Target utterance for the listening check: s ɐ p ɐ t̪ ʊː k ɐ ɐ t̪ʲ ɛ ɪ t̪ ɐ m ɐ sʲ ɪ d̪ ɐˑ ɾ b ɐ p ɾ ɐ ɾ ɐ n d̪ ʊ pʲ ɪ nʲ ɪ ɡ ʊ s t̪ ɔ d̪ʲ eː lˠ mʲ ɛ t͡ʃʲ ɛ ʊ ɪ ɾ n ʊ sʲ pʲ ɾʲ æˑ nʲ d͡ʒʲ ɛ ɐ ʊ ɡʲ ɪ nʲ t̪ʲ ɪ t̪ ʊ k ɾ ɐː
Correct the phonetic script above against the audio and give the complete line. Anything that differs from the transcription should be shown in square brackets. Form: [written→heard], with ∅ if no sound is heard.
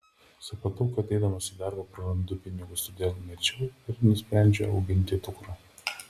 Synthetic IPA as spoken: s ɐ p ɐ t̪ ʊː k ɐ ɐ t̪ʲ ɛ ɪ [t̪→d̪] ɐ m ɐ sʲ ɪ d̪ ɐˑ ɾ b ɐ p ɾ ɐ ɾ ɐ n d̪ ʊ pʲ ɪ nʲ ɪ ɡ ʊ s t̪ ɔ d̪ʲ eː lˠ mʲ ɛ t͡ʃʲ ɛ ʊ ɪ ɾ n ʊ sʲ pʲ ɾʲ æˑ nʲ d͡ʒʲ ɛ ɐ ʊ ɡʲ ɪ nʲ t̪ʲ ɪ t̪ ʊ k ɾ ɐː